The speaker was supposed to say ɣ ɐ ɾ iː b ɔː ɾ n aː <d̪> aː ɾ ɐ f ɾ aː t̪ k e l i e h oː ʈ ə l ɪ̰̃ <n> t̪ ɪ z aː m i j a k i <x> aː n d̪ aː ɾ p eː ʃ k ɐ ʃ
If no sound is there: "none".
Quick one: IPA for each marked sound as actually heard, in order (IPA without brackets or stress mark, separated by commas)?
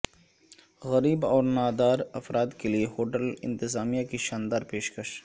d̪, n, ʃ